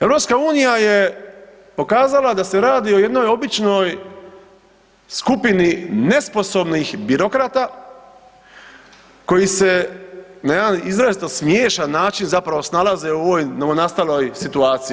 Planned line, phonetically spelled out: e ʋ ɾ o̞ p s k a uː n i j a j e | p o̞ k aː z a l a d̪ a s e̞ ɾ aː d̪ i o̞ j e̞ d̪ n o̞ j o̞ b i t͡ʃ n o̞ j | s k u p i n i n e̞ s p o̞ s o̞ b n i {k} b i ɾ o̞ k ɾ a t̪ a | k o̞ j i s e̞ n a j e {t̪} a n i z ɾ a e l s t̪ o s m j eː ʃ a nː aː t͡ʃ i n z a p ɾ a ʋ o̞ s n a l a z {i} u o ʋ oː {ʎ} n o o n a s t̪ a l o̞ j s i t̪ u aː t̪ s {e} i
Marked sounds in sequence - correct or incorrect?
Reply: incorrect, incorrect, incorrect, incorrect, incorrect

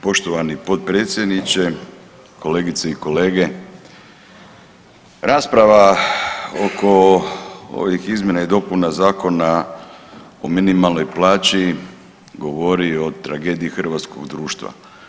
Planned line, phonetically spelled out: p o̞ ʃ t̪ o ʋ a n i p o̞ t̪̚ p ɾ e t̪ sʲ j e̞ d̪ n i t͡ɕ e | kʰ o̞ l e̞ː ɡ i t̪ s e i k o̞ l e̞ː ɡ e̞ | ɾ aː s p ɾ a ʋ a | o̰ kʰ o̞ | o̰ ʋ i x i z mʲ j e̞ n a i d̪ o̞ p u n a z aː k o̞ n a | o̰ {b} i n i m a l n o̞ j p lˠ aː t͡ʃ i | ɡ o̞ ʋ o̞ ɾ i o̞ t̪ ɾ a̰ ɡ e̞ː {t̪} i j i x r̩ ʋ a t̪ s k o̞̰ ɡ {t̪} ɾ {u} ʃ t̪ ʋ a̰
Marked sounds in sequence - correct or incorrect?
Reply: incorrect, incorrect, incorrect, incorrect

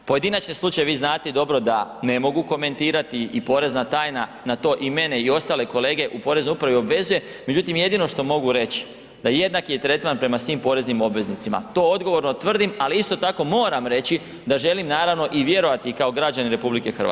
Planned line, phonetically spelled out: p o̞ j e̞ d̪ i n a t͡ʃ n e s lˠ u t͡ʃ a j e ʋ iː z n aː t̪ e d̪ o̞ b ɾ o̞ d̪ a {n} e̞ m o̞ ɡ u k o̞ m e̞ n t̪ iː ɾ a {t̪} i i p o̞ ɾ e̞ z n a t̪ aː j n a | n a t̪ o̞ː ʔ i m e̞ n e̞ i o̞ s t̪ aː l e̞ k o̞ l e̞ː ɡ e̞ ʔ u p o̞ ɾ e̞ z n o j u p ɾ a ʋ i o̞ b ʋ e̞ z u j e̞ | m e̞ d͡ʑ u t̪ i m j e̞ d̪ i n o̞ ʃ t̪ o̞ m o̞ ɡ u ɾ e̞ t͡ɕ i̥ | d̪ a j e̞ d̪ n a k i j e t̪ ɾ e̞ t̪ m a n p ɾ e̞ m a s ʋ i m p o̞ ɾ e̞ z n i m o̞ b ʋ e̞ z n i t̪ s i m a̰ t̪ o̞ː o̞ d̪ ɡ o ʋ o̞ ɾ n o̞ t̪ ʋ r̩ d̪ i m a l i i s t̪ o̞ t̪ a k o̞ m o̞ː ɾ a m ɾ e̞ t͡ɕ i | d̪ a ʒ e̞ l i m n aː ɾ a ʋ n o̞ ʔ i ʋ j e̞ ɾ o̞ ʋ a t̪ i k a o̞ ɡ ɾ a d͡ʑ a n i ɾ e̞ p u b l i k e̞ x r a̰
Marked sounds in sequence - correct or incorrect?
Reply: correct, correct

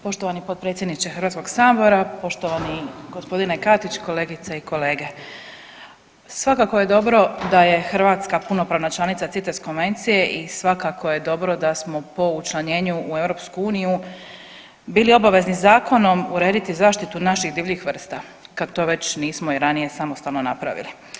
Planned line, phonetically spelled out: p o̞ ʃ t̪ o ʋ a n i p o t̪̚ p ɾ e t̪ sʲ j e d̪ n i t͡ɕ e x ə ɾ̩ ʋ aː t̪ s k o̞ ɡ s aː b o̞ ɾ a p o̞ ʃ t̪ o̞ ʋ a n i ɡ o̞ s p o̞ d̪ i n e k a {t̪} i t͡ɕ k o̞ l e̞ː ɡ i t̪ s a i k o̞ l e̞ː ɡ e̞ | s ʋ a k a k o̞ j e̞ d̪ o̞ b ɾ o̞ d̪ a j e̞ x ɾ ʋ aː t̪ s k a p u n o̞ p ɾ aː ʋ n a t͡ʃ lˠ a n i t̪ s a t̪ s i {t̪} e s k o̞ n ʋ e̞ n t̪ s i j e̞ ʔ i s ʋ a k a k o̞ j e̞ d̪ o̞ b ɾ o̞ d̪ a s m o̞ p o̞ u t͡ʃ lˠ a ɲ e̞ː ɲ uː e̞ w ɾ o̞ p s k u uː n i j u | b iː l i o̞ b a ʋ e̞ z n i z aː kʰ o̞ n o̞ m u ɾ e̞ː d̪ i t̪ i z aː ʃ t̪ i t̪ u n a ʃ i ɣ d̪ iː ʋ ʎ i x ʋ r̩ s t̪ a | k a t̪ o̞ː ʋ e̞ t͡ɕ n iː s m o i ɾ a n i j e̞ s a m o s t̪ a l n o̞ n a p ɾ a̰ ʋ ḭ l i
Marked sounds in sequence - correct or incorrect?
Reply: correct, correct

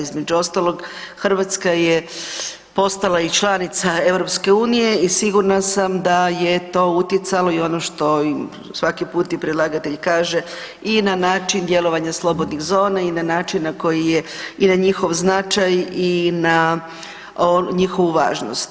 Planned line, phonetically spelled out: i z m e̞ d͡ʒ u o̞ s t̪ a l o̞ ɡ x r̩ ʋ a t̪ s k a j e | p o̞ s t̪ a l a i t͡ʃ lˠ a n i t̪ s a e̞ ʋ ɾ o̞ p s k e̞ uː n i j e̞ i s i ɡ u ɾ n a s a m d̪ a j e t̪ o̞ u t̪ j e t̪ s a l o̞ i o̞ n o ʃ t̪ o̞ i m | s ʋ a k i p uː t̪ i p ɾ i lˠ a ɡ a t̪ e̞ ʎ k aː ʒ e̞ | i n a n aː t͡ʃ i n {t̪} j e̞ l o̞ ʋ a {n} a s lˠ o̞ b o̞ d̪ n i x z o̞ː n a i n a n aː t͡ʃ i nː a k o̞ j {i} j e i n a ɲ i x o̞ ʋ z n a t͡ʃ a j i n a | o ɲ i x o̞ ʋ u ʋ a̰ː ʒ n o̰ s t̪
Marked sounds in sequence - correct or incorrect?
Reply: incorrect, incorrect, correct

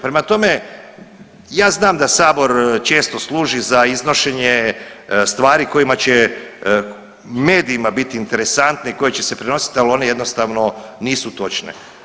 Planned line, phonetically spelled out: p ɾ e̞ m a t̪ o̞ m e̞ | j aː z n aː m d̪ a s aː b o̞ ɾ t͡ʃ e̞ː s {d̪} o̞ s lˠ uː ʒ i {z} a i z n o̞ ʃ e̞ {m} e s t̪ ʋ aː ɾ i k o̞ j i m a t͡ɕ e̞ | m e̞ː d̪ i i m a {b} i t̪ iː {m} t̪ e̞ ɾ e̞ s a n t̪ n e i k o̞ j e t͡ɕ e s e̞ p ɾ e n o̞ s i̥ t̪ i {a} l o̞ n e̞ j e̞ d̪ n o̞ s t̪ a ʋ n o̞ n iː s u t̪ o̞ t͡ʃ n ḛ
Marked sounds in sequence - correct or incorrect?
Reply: incorrect, correct, incorrect, correct, incorrect, correct

